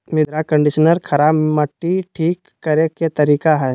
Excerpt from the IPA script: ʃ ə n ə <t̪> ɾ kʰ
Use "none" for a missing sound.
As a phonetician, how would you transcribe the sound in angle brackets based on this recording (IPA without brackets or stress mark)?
none